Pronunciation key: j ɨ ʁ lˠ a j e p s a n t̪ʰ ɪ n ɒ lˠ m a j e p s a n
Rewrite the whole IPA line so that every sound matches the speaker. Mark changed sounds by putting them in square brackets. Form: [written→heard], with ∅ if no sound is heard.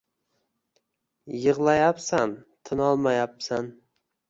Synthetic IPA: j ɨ ʁ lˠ a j [e→a] p s a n t̪ʰ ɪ n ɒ lˠ m a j [e→a] p s a n

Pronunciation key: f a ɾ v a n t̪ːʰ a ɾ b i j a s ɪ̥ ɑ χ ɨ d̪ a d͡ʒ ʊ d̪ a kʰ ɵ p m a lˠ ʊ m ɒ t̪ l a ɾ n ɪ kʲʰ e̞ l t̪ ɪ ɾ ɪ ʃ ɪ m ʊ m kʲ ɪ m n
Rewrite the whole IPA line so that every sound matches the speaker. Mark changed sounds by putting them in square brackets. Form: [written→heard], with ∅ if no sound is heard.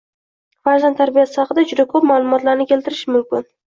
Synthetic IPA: f a ɾ [v→z] a n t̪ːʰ a ɾ b i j a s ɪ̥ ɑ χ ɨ d̪ a d͡ʒ ʊ d̪ a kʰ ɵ p m a lˠ ʊ m ɒ t̪ l a ɾ n ɪ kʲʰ e̞ l t̪ ɪ ɾ ɪ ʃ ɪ m ʊ m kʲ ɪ [m→∅] n

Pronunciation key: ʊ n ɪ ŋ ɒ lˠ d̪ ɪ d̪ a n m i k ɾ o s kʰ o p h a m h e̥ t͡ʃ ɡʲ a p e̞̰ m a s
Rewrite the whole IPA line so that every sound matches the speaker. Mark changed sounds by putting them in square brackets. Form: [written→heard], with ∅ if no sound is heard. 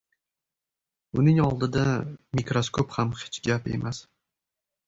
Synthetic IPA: ʊ n ɪ ŋ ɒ lˠ d̪ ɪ d̪ a [n→∅] m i k ɾ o s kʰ o p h a m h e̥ t͡ʃ ɡʲ a p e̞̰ m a s

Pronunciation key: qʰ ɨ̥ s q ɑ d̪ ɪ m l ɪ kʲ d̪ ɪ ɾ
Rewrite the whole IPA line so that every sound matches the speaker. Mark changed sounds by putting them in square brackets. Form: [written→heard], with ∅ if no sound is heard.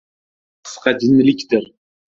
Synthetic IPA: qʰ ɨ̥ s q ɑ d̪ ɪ [m→n] l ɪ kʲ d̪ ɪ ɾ

